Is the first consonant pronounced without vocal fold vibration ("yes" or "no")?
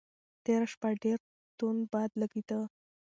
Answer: yes